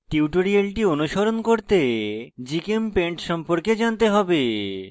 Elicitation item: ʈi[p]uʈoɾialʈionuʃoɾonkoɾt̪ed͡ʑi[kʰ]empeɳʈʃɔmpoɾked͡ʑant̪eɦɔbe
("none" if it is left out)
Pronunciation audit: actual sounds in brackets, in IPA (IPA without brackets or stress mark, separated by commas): none, k